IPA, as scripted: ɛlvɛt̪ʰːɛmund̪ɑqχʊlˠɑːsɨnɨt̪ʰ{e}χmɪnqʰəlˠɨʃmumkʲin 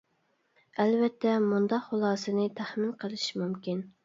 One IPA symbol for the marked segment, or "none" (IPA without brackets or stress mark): æ